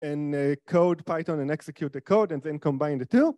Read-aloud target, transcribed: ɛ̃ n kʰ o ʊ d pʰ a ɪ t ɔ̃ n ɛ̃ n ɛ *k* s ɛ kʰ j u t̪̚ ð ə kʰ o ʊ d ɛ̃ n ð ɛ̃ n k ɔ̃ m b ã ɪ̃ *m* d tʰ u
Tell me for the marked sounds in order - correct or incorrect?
correct, incorrect: n

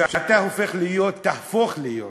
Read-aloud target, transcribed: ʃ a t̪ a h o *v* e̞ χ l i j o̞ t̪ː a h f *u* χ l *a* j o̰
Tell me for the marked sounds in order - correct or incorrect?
incorrect: f, incorrect: o, incorrect: i

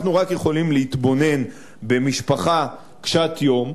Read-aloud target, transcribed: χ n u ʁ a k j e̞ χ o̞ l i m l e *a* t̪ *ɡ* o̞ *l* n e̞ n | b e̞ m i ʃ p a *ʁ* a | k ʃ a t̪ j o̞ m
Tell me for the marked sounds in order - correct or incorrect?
incorrect: i, incorrect: b, incorrect: none, incorrect: χ

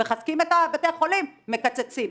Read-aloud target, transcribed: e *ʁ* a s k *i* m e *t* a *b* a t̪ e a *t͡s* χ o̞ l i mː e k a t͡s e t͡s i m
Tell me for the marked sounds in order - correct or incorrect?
incorrect: χ, correct, correct, correct, incorrect: none

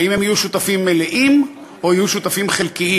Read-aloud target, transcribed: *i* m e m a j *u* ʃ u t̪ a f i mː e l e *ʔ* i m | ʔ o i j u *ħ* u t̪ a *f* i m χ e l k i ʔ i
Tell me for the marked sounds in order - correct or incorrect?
correct, correct, correct, incorrect: ʃ, correct

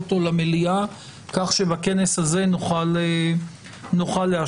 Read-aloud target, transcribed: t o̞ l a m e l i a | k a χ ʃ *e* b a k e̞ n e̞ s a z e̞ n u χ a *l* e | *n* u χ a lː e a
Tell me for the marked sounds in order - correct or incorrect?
correct, correct, correct

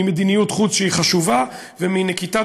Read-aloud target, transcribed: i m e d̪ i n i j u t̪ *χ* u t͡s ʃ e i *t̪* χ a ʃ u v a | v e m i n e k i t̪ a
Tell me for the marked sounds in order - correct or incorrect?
correct, incorrect: none

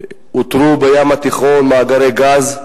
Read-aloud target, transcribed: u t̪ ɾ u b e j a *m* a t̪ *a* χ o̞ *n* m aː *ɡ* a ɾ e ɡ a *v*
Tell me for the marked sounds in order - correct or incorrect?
correct, incorrect: i, correct, correct, incorrect: z

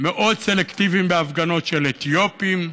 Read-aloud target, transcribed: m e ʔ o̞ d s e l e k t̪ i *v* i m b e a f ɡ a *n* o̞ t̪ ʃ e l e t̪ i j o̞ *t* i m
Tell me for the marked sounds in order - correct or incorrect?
correct, correct, incorrect: p

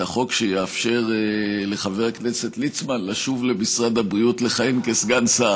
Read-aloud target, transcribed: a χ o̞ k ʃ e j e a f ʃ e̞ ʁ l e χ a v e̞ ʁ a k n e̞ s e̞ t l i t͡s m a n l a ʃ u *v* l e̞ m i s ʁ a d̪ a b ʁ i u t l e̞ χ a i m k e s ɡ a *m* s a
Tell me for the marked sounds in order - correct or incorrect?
correct, incorrect: n

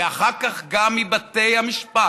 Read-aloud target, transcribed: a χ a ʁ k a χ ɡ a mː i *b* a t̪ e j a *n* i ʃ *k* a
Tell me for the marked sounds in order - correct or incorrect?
correct, incorrect: m, incorrect: p

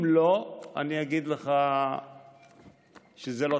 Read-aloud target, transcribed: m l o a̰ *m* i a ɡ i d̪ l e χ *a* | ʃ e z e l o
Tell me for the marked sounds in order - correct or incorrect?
incorrect: n, correct

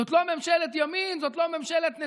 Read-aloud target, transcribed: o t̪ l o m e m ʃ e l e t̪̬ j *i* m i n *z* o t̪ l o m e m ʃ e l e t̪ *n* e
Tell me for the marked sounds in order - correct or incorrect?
incorrect: a, correct, correct

